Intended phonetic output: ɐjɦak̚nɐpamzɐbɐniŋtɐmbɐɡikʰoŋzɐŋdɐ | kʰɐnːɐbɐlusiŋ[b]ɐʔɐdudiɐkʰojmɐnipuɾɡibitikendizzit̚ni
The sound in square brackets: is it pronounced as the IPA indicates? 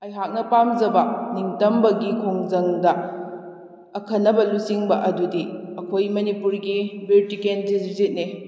yes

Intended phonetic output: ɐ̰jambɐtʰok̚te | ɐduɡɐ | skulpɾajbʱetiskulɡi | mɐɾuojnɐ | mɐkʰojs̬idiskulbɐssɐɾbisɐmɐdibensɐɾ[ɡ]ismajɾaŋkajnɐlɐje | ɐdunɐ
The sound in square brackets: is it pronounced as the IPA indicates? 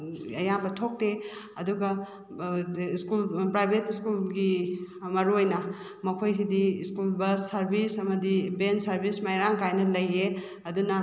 no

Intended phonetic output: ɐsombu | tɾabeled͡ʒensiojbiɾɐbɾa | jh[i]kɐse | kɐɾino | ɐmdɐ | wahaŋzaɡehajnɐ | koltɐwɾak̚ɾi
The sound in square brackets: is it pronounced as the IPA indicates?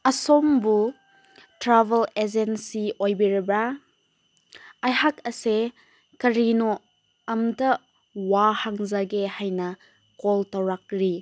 no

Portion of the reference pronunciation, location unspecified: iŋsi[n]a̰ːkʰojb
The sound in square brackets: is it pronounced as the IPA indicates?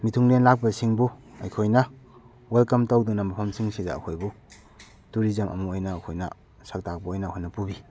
no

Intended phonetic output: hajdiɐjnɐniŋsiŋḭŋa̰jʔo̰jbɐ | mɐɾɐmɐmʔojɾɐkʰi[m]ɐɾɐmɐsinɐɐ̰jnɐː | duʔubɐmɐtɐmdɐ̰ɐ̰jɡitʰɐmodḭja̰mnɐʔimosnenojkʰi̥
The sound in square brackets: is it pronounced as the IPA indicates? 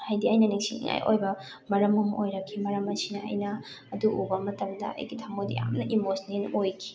yes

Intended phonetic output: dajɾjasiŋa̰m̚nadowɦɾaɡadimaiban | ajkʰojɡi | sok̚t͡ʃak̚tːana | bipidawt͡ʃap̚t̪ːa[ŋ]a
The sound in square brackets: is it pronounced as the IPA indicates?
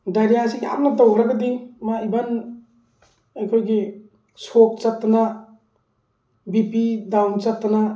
no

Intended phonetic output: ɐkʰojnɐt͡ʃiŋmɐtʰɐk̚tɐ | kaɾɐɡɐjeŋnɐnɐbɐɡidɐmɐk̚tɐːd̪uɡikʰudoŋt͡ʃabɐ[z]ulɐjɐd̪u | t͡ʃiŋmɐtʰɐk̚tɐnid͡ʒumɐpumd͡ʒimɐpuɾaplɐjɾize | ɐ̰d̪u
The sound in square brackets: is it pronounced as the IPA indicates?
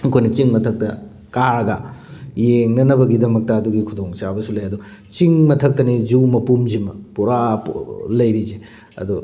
no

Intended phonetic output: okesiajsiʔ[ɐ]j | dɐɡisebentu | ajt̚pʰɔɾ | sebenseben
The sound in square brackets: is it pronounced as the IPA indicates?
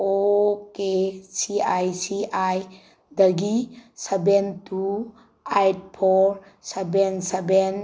no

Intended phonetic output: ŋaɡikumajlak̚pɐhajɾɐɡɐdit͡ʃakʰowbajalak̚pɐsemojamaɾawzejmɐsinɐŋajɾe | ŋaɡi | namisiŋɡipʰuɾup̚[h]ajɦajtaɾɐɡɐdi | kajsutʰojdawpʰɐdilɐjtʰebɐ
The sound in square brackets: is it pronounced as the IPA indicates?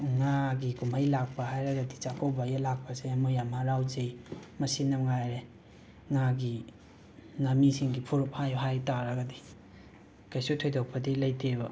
yes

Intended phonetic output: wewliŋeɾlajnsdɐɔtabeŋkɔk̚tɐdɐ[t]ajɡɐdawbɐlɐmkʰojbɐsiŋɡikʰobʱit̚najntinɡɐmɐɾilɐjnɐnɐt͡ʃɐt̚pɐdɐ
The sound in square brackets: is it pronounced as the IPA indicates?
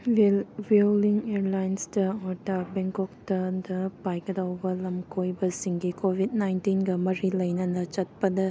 no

